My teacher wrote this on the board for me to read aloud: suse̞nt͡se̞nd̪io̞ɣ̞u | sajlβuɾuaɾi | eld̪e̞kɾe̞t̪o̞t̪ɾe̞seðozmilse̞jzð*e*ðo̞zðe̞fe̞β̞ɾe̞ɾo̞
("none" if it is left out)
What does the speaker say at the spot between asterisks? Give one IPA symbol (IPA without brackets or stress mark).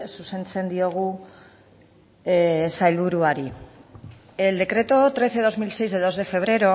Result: e